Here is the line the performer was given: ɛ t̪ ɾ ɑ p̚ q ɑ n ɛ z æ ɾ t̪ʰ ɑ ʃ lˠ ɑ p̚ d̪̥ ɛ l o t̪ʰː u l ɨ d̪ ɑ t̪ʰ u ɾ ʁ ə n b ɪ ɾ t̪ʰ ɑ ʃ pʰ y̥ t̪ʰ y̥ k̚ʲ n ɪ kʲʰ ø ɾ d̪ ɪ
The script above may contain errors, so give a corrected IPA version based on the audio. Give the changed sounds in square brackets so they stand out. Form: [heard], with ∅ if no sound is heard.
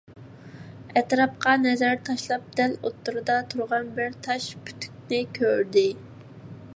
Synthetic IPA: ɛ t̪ ɾ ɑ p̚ q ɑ n ɛ z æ ɾ t̪ʰ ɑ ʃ lˠ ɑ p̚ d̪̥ ɛ l o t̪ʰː u [ɾ] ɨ d̪ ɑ t̪ʰ u ɾ ʁ [ɑ] n b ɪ ɾ t̪ʰ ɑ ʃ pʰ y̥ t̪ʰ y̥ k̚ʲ n ɪ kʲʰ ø ɾ d̪ ɪ